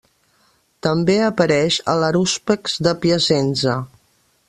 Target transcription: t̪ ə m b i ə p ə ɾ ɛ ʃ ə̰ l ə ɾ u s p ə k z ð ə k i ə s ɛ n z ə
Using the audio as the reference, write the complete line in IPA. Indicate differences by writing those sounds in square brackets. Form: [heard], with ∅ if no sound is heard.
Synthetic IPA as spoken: t̪ ə m b [e] ə p ə ɾ ɛ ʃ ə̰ l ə ɾ u s p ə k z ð ə [p] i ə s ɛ n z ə